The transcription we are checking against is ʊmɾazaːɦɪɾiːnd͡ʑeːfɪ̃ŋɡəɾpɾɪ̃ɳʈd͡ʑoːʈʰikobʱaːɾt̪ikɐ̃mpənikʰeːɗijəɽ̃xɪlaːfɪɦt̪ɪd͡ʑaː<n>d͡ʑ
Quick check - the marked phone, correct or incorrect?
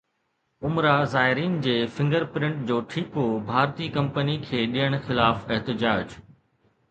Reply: incorrect